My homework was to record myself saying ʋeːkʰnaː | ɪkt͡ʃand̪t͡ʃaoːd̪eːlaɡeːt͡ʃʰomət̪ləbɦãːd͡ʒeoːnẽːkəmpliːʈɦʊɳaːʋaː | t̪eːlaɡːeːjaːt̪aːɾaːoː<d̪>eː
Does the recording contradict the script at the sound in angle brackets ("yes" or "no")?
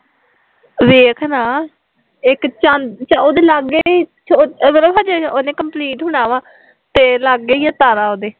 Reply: no